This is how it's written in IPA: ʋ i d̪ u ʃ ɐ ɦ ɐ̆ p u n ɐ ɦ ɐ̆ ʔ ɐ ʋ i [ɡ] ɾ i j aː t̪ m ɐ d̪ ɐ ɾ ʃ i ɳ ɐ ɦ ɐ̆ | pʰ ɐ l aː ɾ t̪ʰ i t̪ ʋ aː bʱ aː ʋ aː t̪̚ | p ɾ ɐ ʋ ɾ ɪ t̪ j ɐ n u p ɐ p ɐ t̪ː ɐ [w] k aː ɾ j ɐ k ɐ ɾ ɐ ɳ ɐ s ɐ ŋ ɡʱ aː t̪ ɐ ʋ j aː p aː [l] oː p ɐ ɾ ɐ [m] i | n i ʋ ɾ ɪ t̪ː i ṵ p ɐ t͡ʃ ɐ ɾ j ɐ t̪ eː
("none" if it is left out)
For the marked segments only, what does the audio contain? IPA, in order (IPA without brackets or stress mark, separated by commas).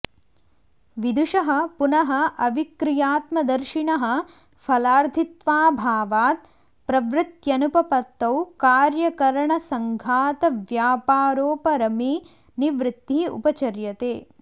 k, w, ɾ, m